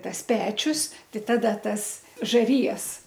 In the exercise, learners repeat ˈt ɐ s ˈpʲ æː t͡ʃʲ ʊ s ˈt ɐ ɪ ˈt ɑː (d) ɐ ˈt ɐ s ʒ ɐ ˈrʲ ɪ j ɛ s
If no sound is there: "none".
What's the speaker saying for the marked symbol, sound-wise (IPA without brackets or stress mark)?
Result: d